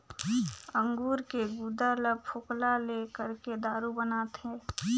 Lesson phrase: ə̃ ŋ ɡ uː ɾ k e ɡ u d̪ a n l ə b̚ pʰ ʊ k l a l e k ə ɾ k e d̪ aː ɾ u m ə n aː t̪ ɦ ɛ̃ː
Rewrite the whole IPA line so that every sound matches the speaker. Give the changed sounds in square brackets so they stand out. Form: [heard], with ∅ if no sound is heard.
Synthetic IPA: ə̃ ŋ ɡ uː ɾ k e ɡ u d̪ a [∅] l ə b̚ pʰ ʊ k l a l e k ə ɾ k e d̪ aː ɾ u [b] ə n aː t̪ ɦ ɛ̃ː